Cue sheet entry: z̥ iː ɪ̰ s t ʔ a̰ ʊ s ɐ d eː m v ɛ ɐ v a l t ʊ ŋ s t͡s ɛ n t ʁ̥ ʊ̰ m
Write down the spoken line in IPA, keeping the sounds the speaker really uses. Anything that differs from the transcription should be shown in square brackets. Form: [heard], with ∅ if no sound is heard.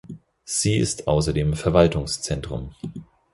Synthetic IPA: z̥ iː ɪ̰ s t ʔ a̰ ʊ s ɐ d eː m [f] ɛ ɐ v a l t ʊ ŋ s t͡s ɛ n t ʁ̥ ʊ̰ m